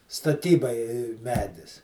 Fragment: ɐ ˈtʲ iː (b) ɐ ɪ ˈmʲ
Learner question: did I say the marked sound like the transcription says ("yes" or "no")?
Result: yes